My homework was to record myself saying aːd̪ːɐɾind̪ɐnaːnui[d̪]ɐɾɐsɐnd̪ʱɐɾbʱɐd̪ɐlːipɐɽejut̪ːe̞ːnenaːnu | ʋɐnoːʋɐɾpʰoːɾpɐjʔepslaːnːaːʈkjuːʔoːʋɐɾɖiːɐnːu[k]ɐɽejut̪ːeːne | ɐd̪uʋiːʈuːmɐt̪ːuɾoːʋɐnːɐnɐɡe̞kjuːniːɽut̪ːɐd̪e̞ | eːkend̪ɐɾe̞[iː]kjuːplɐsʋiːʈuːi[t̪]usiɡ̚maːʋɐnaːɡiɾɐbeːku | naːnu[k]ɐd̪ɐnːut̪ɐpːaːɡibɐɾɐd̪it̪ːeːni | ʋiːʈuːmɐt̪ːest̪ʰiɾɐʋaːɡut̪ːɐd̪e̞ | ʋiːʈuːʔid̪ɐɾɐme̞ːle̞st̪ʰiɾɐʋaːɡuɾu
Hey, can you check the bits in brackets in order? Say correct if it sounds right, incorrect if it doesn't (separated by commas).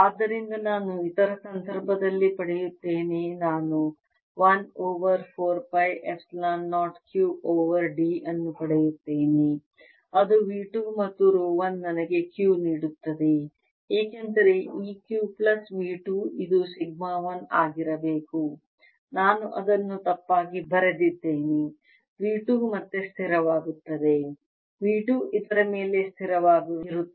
incorrect, incorrect, correct, incorrect, incorrect